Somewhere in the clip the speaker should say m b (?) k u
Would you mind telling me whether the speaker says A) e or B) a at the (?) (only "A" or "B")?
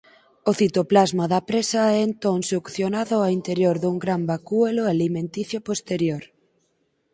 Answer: B